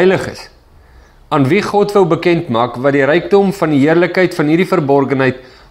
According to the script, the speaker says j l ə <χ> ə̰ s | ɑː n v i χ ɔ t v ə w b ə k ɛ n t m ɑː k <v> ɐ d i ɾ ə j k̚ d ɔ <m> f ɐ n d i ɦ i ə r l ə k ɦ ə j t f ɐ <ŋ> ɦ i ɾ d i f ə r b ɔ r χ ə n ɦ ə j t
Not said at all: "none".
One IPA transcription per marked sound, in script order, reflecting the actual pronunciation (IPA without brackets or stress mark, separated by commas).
χ, v, m, n